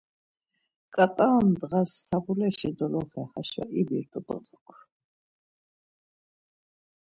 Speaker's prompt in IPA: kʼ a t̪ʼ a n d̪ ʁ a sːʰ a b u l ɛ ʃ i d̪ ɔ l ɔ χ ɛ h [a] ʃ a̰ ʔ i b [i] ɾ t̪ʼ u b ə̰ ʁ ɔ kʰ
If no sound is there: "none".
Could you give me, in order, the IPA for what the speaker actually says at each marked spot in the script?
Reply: a, i

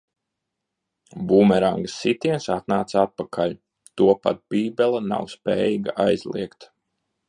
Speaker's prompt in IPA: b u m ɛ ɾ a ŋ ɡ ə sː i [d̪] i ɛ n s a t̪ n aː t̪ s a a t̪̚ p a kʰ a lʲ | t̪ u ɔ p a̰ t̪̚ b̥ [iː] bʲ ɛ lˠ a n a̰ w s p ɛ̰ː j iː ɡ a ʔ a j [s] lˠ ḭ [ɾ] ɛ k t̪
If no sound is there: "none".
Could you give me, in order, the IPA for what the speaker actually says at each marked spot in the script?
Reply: t̪, iː, z, none

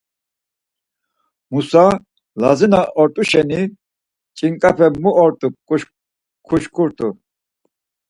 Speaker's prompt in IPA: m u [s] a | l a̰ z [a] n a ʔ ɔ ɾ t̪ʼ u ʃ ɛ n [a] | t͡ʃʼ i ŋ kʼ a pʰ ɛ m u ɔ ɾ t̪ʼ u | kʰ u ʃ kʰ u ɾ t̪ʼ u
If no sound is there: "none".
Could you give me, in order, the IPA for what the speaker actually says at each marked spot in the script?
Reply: s, i, i

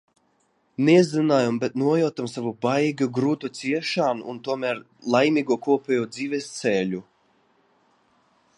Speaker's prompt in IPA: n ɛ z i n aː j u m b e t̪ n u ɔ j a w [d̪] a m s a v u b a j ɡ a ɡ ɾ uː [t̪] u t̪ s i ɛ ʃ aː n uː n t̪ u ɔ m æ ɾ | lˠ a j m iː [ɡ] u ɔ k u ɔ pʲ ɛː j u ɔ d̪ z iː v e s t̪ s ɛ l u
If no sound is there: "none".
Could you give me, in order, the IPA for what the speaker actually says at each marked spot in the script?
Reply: t̪, t̪, ɡ

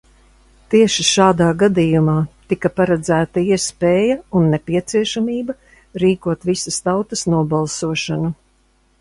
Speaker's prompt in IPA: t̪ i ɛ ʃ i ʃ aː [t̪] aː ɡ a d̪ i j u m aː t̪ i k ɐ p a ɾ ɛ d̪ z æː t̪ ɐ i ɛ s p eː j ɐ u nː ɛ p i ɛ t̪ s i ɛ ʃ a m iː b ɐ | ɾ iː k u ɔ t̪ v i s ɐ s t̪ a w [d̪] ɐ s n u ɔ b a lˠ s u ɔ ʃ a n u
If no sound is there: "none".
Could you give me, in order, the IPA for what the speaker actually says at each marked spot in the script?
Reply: d̪, t̪

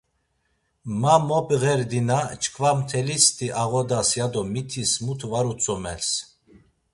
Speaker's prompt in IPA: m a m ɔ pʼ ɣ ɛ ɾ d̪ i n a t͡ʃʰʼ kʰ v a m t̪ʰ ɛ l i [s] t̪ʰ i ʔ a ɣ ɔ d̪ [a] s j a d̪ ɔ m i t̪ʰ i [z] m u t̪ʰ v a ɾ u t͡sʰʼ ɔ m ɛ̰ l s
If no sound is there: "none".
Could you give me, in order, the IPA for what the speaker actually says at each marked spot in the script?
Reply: s, a, s

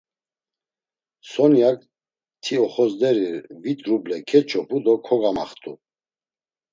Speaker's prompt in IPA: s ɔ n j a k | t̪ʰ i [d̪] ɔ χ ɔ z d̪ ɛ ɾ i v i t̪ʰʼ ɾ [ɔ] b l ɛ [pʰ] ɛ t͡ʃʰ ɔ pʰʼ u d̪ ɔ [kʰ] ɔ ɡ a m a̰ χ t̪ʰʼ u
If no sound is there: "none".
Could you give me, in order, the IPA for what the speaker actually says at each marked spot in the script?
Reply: none, u, kʰ, kʰ

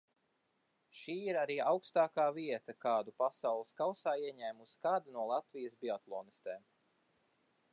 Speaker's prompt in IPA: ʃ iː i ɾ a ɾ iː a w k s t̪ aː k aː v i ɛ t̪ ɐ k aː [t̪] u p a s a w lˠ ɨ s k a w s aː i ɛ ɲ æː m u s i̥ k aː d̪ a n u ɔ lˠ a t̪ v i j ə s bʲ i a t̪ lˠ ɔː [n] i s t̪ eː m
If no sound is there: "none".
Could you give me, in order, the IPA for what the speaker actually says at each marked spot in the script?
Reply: d̪, n

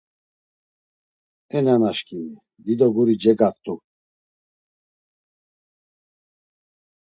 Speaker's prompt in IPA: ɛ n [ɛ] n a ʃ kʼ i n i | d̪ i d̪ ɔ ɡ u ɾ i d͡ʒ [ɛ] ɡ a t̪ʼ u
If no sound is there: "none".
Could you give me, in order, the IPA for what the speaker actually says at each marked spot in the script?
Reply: a, ɛ

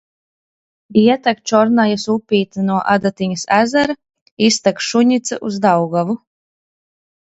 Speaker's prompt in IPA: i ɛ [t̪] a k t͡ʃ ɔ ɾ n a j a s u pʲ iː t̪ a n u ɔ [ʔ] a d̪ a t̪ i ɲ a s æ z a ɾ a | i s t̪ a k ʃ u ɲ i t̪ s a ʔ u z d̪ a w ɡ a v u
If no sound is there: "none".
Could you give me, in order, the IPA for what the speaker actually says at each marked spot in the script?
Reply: t̪, ʔ

